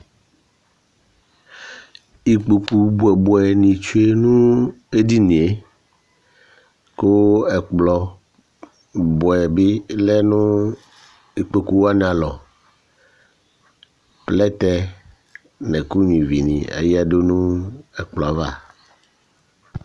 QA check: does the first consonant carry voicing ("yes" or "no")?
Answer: no